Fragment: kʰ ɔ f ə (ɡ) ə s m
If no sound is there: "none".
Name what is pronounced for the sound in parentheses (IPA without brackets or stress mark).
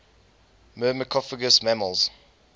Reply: ɡ